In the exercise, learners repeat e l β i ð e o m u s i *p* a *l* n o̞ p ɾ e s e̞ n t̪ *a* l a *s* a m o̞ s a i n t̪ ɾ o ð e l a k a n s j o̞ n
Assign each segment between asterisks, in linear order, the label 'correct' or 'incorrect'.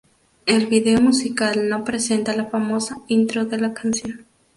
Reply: incorrect: k, correct, correct, incorrect: f

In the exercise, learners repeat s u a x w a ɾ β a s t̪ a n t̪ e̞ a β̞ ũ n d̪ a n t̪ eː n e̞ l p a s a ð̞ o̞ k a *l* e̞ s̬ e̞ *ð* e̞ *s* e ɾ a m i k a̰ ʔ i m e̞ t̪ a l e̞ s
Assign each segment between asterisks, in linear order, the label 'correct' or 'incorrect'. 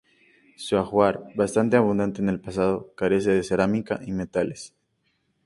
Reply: incorrect: ɾ, correct, correct

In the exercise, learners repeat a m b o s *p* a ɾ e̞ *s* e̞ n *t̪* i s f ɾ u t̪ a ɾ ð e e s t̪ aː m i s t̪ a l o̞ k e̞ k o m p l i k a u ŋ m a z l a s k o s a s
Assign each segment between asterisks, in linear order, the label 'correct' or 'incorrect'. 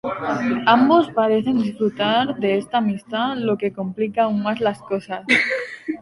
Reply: correct, incorrect: θ, incorrect: d̪

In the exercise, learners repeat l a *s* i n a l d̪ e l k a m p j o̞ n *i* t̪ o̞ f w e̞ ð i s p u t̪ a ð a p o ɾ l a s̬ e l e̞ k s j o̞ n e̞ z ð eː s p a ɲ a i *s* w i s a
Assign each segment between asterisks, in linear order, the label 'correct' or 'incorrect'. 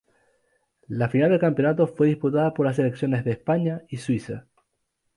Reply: incorrect: f, incorrect: a, correct

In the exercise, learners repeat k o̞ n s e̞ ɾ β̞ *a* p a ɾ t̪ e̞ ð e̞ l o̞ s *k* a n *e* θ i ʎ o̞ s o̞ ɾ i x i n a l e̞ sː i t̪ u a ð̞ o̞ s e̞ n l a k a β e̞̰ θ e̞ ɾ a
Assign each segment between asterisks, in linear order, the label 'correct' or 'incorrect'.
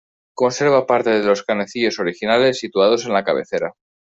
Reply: correct, correct, correct

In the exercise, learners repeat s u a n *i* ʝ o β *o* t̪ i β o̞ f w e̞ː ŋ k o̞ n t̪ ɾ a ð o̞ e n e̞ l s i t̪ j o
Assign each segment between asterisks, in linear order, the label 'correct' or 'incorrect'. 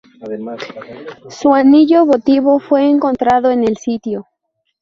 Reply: correct, correct

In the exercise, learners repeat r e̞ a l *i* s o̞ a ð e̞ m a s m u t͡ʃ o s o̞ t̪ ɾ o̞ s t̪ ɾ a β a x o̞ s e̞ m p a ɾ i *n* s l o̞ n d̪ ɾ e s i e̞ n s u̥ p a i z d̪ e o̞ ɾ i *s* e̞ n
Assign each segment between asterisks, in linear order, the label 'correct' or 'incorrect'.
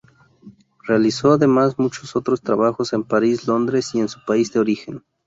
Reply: correct, incorrect: none, incorrect: x

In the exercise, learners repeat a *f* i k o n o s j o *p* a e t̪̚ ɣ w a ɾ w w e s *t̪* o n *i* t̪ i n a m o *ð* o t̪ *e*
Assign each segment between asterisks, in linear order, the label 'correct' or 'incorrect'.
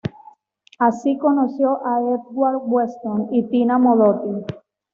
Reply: incorrect: s, incorrect: ʔ, correct, correct, correct, incorrect: i

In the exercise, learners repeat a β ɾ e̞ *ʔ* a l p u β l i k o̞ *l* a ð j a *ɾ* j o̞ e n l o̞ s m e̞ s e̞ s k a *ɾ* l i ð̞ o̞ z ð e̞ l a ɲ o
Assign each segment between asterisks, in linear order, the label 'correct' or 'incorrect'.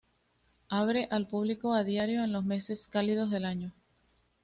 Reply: correct, incorrect: none, correct, incorrect: none

